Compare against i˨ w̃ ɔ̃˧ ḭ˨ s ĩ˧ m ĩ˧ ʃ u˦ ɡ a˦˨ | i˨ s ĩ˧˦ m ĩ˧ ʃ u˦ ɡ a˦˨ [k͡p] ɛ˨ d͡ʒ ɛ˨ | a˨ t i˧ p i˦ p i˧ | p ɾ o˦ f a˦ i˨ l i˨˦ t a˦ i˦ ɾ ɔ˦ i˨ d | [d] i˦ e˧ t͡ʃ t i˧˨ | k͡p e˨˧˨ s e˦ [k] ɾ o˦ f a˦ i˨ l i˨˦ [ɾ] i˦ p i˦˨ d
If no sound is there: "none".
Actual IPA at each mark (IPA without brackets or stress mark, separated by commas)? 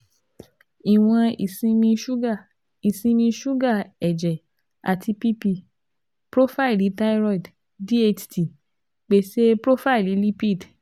none, d, p, l